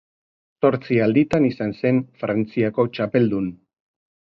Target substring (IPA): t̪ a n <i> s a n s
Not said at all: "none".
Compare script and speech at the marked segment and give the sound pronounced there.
i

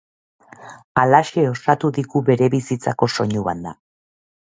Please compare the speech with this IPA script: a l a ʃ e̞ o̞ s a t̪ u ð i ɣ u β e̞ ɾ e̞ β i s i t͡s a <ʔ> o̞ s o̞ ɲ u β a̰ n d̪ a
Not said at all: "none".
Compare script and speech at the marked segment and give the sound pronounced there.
k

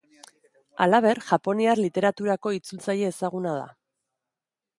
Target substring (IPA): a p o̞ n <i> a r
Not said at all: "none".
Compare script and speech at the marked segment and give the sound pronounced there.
i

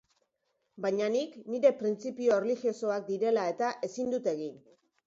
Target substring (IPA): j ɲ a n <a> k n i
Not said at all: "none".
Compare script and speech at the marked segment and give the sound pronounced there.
i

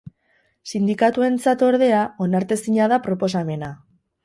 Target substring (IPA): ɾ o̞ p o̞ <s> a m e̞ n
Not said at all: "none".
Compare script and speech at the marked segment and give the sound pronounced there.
s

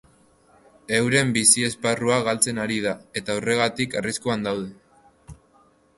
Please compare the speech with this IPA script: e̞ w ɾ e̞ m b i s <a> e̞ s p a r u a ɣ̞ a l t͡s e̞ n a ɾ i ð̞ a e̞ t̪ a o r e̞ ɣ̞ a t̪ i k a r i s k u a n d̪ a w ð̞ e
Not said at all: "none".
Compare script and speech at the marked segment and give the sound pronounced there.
i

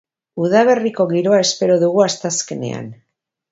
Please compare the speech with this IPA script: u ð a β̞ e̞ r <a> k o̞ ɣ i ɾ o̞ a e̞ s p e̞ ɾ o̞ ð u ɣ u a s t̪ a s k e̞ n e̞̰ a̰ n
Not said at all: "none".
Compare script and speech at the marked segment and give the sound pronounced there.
i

